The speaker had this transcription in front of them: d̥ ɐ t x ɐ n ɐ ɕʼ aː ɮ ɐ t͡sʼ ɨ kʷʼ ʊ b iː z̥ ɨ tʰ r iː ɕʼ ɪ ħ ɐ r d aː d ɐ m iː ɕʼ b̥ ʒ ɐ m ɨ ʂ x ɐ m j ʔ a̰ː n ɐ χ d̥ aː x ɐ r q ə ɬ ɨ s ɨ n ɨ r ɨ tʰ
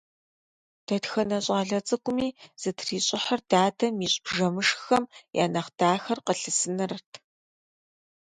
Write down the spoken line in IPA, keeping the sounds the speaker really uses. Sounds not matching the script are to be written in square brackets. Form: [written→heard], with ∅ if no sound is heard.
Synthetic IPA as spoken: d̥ ɐ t x ɐ n ɐ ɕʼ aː ɮ ɐ t͡sʼ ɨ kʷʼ ʊ [b→m] iː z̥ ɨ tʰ r iː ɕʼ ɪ ħ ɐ r d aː d ɐ m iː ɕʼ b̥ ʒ ɐ m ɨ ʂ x ɐ m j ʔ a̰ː n ɐ χ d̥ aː x ɐ r q ə ɬ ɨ s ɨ n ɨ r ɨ tʰ